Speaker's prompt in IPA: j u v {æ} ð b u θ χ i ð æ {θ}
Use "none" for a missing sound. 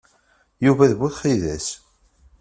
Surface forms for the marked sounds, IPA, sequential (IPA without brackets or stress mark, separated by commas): æ, s